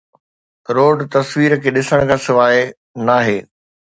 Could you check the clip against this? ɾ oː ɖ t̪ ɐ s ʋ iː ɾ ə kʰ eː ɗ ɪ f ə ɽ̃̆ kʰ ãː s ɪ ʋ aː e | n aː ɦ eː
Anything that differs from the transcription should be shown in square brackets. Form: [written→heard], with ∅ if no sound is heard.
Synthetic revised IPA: ɾ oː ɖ t̪ ɐ s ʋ iː ɾ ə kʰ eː ɗ ɪ [f→s] ə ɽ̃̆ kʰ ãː s ɪ ʋ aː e | n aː ɦ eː